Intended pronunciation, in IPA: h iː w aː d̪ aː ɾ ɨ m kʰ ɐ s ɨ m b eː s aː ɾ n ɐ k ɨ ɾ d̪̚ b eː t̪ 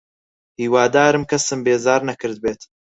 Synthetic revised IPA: h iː w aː d̪ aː ɾ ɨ m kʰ ɐ s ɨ m b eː z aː ɾ n ɐ k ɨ ɾ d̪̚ b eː t̪